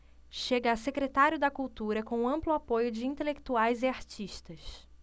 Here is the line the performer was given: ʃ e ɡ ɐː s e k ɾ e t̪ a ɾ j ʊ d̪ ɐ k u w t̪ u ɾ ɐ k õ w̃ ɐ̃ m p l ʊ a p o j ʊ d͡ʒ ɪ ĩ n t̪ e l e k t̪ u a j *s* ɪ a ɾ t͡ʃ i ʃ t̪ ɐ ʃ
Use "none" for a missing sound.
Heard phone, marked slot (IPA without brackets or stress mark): z